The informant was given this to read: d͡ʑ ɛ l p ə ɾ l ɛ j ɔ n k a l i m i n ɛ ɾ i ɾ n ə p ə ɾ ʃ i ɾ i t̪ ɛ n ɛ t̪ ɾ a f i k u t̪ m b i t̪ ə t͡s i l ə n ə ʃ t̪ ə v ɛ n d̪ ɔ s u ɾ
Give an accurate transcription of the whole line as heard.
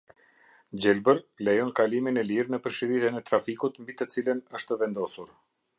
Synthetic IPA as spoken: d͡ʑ ɛ l b ə ɾ l ɛ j ɔ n k a l i m i n ɛ l i ɾ n ə p ə ɾ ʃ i ɾ i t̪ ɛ n ɛ t̪ ɾ a f i k u t̪ m b i t̪ ə t͡s i l ə n ə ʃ t̪ ə v ɛ n d̪ ɔ s u ɾ